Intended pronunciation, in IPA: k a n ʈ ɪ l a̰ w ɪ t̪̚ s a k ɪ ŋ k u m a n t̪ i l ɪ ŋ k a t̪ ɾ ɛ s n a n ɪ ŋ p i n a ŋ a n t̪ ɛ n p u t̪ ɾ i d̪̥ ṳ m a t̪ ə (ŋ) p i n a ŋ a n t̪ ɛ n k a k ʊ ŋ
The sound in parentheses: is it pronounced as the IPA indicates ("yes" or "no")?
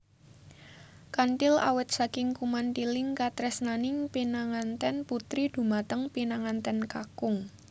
yes